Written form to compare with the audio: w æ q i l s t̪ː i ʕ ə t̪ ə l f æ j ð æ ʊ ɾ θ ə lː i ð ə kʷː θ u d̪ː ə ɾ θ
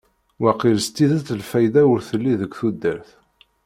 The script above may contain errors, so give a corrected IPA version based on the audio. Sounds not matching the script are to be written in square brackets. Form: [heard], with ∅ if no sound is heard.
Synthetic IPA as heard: w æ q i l s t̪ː i [ð] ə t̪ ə l f æ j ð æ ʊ ɾ θ ə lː i ð ə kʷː θ u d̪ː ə ɾ θ